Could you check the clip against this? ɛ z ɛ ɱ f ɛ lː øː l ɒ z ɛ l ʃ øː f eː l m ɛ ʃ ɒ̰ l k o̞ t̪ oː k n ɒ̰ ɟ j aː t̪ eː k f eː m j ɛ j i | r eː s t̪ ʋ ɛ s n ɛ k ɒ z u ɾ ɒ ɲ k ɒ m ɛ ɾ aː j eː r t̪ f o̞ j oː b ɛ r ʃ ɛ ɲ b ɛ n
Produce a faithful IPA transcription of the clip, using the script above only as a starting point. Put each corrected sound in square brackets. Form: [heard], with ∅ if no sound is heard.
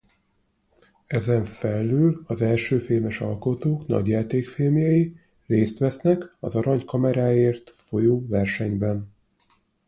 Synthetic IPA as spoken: ɛ z ɛ ɱ f ɛ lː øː l ɒ z ɛ l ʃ øː f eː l m ɛ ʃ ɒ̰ l k o̞ t̪ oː k n ɒ̰ ɟ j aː t̪ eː k f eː m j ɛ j i | r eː s t̪ ʋ ɛ s n ɛ k ɒ z [ɒ] ɾ ɒ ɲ k ɒ m ɛ ɾ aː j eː r t̪ f o̞ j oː [v] ɛ r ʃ ɛ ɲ b ɛ n